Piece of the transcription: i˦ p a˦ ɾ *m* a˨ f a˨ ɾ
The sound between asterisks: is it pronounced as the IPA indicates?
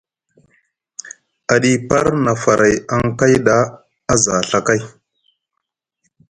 no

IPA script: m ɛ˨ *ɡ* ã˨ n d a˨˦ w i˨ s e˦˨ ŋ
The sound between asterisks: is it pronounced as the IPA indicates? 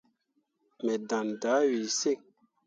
no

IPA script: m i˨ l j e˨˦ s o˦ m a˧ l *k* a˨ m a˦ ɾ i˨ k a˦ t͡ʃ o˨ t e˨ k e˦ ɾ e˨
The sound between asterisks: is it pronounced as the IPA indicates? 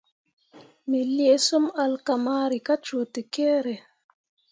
yes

